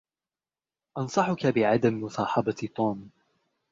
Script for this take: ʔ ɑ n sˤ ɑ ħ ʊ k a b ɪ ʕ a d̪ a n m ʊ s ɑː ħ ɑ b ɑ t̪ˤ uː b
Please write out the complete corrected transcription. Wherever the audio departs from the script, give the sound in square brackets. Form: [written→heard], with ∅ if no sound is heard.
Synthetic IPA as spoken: ʔ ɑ n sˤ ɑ ħ ʊ k a b ɪ ʕ a d̪ a [n→m] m ʊ s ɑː ħ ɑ b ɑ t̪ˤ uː [b→m]